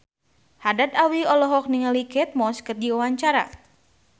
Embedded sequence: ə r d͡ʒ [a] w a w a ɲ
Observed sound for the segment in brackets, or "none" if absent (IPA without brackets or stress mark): i